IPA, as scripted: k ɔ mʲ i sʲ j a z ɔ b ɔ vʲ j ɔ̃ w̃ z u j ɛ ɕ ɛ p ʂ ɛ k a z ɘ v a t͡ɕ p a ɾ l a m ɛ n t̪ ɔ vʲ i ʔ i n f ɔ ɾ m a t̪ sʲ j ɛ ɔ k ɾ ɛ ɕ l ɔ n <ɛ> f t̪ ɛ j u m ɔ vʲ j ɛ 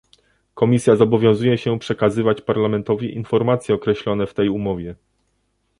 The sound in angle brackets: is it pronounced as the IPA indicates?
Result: yes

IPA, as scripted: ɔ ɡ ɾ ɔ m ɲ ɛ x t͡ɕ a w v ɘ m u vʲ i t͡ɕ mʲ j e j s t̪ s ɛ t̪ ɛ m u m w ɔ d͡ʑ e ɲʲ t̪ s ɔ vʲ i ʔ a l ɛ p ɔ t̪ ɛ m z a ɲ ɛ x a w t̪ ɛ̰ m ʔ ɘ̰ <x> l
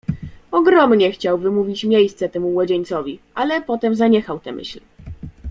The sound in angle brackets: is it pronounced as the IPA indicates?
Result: no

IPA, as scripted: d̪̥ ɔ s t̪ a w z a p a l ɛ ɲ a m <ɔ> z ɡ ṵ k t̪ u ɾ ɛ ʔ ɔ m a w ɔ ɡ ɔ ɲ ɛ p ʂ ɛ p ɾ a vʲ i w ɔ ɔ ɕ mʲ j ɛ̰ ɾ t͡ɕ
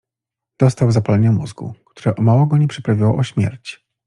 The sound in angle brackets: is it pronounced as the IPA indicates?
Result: no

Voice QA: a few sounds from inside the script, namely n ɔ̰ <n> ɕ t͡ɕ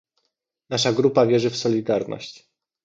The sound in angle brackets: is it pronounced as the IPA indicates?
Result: no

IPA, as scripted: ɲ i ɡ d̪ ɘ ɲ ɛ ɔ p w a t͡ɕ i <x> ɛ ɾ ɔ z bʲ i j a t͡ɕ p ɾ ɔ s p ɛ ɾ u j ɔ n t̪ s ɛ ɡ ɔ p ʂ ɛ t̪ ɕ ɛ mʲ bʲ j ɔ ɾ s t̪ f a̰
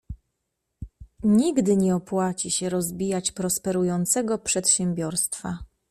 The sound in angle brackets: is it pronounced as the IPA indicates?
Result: no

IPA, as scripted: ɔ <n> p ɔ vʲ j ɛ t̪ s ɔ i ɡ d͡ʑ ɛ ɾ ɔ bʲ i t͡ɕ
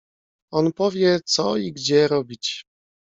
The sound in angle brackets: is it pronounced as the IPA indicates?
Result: yes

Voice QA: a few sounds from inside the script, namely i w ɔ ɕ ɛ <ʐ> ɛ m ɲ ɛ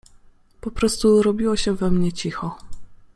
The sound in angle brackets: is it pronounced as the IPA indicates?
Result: no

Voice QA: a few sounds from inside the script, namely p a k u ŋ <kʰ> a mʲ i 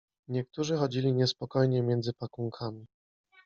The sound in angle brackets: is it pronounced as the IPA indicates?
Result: yes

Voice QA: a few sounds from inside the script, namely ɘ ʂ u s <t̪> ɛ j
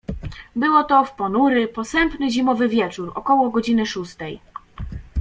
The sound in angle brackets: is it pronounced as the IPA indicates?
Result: yes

